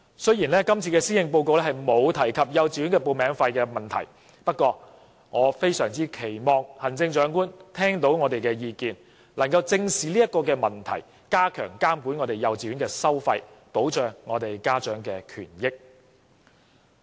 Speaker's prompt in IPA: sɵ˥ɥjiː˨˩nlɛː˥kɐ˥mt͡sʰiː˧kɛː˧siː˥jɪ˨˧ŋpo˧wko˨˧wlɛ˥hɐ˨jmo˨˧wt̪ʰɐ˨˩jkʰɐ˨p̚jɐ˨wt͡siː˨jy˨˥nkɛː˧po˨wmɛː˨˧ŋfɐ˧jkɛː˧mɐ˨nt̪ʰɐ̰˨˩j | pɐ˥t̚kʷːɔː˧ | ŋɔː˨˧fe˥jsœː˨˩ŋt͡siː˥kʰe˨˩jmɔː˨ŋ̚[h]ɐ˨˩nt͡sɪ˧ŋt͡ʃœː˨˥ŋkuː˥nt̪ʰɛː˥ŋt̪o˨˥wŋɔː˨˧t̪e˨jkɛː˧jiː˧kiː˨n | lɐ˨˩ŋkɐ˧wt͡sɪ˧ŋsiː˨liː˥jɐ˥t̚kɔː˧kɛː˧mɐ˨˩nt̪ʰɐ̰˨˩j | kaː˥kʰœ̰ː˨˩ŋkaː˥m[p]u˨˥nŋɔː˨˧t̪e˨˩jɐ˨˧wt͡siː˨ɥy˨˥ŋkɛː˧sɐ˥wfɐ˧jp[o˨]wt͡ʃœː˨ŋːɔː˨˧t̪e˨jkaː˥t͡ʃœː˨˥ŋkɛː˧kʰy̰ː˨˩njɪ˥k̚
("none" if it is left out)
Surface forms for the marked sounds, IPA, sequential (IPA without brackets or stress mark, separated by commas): h, k, o˨˥